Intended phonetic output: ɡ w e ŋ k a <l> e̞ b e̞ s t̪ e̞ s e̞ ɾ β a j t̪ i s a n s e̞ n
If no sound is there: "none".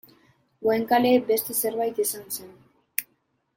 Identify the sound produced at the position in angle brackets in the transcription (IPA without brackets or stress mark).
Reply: l